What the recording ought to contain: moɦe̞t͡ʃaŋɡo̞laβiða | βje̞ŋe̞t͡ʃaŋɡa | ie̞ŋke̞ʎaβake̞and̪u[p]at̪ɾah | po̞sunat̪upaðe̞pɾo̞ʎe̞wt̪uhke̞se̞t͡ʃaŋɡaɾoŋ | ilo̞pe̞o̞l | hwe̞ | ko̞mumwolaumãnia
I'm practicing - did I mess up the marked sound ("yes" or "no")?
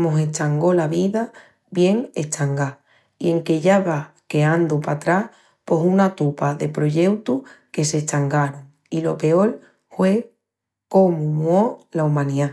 no